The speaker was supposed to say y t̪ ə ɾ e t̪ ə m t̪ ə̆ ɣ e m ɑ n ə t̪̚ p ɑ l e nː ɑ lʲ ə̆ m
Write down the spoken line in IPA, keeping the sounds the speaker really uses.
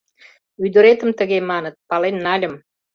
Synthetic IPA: y d̪ ə ɾ e t̪ ə m t̪ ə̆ ɣ e m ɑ n ə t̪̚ p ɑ l e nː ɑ lʲ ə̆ m